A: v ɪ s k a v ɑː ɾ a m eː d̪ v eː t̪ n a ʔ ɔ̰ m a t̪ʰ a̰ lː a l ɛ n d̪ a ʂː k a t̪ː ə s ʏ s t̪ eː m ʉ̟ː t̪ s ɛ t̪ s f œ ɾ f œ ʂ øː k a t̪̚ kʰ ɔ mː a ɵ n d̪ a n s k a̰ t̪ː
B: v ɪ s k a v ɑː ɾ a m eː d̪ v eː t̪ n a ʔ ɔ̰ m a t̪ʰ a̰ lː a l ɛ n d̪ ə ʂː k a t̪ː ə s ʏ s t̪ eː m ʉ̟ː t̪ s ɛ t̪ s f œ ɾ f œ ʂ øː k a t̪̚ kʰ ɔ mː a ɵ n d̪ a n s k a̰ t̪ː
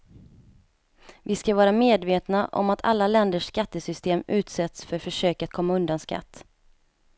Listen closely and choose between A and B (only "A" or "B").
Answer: B